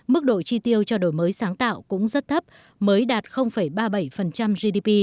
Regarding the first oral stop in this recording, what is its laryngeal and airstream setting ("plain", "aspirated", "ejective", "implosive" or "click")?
plain